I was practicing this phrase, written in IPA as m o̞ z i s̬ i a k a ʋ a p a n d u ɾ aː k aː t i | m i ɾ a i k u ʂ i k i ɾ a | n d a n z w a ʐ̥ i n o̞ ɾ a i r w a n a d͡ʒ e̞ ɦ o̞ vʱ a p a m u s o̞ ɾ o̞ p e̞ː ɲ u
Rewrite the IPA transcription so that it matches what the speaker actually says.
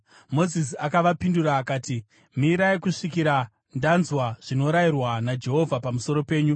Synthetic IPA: m o̞ z i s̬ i a k a ʋ a p i n d u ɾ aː k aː t i | m i ɾ a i k u ʂ i k i ɾ a | n d a n z w a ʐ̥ i n o̞ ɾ a i r w a n a d͡ʒ e̞ ɦ o̞ vʱ a p a m u s o̞ ɾ o̞ p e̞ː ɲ u